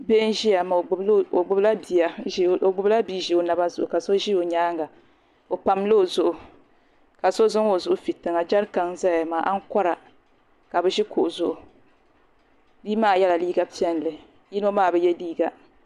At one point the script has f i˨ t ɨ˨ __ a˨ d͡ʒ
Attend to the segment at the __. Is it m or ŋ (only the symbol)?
ŋ